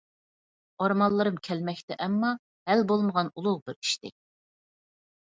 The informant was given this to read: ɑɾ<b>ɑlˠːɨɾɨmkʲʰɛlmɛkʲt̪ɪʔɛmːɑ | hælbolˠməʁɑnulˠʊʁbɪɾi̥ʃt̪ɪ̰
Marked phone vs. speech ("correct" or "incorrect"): incorrect